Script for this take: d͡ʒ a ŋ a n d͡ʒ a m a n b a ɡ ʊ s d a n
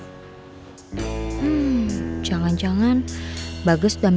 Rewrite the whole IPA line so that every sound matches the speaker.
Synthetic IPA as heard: d͡ʒ a ŋ a n d͡ʒ a ŋ a n b a ɡ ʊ s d a m

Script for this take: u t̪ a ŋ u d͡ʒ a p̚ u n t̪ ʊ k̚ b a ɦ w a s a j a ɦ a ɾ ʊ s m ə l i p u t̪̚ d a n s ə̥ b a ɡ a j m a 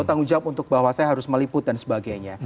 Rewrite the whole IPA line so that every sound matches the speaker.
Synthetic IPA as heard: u t̪ a ŋ u d͡ʒ a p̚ u n t̪ ʊ k̚ b a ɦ w a s a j a ɦ a ɾ ʊ s m ə l i p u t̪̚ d a n s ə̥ b a ɡ a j ɲ a

